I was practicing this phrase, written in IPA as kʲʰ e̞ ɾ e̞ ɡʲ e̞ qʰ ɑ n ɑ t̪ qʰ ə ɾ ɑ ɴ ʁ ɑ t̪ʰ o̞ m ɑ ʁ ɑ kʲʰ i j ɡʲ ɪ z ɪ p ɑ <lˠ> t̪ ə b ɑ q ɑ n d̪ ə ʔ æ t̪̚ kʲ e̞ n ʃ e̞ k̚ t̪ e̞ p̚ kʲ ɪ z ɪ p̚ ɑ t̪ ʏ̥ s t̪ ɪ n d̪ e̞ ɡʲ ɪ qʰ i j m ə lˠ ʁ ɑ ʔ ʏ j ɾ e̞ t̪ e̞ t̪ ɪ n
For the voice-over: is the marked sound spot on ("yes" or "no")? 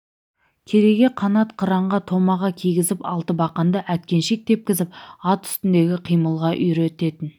yes